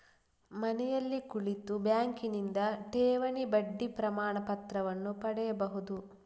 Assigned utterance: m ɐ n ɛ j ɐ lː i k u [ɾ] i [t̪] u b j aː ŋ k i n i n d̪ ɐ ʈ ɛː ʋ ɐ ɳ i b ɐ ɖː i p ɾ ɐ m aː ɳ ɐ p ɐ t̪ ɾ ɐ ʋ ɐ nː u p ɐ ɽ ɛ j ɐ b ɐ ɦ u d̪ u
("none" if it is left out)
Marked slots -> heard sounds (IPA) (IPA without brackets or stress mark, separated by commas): ɭ, t̪